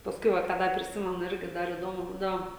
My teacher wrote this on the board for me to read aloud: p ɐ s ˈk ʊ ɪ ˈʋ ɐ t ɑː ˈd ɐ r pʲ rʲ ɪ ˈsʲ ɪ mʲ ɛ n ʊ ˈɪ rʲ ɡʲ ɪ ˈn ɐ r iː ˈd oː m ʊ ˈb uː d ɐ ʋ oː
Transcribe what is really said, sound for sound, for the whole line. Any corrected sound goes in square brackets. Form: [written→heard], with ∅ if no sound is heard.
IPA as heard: p ɐ s ˈk ʊ ɪ ˈʋ ɐ [t→k] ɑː ˈd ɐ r pʲ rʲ ɪ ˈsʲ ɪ mʲ ɛ n ʊ ˈɪ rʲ ɡʲ ɪ [ˈn→ˈd] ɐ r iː ˈd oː m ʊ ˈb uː d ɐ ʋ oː